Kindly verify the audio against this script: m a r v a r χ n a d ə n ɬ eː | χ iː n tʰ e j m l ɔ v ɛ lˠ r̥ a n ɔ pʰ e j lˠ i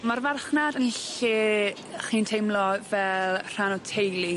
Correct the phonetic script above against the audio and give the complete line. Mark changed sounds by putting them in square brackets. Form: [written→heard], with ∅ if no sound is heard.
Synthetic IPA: m a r v a r χ n a d ə n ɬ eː | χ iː n tʰ e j m l ɔ v ɛ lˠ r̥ a n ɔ [pʰ→tʰ] e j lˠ i